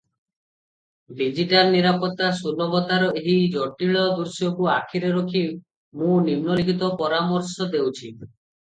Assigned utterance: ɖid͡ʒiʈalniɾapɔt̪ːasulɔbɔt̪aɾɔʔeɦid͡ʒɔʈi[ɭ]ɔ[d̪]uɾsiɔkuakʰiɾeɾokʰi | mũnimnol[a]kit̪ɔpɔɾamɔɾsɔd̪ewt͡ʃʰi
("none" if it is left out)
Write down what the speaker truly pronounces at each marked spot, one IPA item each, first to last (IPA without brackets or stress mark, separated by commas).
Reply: ɭ, d̪, i